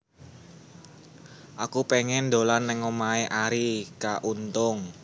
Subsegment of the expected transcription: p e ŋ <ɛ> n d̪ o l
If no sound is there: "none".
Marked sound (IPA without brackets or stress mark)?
ɛ